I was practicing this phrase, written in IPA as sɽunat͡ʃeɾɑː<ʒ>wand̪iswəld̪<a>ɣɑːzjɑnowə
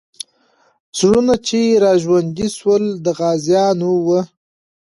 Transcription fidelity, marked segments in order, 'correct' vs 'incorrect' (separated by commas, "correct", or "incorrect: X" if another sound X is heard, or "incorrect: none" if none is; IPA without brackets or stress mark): correct, incorrect: ə